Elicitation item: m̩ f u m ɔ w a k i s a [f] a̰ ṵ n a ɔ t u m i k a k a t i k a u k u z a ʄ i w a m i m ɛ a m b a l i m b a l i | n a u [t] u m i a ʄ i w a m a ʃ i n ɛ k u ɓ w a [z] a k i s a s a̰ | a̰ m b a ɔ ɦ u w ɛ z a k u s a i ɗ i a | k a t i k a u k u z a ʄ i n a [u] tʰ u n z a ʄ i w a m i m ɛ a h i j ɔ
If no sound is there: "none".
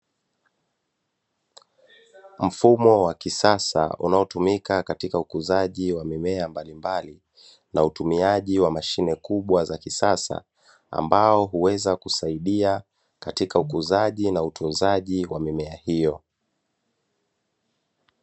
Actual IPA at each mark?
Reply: s, t, z, u

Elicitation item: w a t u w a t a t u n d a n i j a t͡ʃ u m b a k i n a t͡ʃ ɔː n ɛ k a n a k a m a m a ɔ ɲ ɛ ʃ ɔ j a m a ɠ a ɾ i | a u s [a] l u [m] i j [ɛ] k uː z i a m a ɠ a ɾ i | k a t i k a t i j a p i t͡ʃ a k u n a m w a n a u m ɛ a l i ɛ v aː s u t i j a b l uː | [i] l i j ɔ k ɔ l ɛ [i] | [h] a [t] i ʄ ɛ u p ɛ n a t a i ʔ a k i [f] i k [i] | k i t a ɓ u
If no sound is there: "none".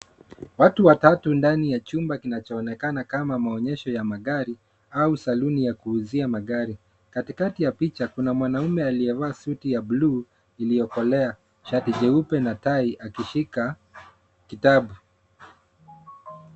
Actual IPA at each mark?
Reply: a, n, a, i, a, ʃ, t, ʃ, a

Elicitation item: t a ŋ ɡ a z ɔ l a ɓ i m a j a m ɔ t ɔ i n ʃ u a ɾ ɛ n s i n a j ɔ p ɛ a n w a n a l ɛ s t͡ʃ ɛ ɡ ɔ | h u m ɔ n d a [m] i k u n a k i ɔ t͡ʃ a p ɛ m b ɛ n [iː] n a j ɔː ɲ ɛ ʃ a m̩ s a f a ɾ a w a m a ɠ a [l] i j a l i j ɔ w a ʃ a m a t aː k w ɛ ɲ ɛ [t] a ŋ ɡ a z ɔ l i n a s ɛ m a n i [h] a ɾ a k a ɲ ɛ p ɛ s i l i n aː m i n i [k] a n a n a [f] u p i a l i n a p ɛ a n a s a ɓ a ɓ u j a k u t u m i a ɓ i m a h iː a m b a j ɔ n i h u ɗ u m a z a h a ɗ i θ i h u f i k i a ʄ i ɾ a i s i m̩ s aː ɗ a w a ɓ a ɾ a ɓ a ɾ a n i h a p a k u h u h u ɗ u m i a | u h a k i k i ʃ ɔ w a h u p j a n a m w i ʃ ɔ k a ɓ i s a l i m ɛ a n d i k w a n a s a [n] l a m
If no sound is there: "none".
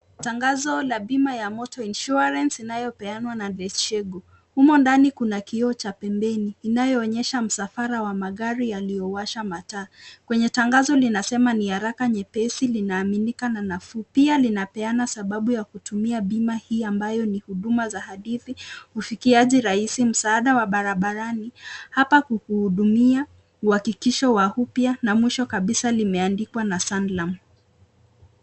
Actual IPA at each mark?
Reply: n, iː, ɾ, t, h, k, f, n

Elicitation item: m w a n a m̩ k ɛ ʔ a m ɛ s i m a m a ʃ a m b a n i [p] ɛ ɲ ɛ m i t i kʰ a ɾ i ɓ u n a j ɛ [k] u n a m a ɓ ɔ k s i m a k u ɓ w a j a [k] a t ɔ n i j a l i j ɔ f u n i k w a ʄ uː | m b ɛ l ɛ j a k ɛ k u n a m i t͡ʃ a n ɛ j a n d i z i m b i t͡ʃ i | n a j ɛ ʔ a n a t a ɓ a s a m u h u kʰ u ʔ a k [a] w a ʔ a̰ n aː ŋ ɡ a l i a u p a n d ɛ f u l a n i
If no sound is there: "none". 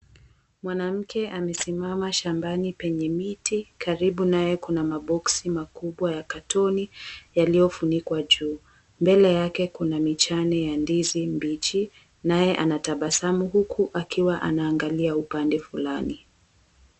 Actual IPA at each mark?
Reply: p, k, k, i

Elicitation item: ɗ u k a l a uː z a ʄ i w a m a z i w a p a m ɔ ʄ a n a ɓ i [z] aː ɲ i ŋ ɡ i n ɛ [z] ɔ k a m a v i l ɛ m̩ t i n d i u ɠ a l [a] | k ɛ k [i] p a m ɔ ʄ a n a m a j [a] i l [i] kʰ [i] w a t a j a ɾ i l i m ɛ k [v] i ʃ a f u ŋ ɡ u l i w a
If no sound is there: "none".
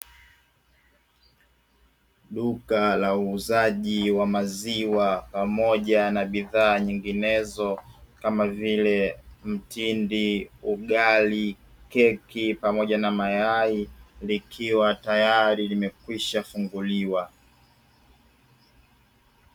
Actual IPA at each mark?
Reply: ð, z, i, i, a, i, i, w

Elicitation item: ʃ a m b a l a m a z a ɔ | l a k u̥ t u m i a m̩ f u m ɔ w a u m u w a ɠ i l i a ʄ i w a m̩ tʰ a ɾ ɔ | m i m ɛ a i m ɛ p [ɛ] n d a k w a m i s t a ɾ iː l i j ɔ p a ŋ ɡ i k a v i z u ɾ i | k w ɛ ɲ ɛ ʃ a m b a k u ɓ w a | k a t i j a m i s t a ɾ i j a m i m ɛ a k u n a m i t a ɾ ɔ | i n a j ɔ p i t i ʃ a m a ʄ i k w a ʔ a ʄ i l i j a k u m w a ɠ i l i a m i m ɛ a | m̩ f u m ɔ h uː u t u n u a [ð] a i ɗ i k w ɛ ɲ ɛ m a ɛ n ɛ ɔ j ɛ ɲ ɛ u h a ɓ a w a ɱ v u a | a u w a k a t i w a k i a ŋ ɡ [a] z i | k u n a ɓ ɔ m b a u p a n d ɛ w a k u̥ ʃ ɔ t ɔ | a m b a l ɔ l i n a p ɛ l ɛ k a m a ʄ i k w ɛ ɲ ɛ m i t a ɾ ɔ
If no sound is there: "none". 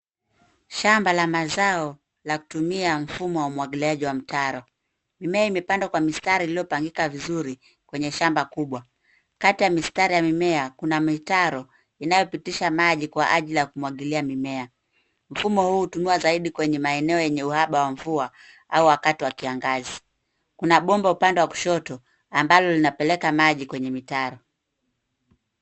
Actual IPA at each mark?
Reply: a, z, a

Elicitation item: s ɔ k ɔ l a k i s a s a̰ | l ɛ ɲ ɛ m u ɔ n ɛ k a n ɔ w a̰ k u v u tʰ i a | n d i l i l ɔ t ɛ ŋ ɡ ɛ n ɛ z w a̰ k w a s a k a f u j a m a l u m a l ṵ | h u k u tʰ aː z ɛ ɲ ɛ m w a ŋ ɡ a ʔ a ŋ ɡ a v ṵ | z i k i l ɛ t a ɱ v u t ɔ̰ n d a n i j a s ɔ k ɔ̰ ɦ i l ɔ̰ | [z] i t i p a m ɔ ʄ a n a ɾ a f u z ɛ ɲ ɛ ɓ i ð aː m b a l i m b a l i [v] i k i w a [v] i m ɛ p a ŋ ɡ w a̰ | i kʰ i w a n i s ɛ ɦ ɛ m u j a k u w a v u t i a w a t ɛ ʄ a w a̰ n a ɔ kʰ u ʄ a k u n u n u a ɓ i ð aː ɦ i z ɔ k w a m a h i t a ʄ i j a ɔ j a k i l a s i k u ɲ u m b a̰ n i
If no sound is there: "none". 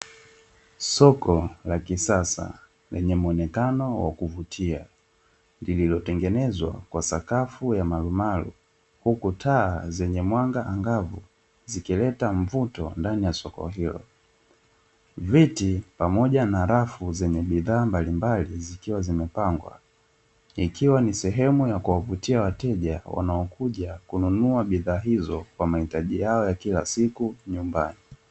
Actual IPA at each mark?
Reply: v, z, z

